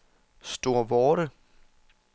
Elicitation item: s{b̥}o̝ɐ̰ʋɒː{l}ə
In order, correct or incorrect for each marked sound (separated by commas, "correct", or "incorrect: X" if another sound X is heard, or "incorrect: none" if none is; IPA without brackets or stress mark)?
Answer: incorrect: d̥, incorrect: ɾ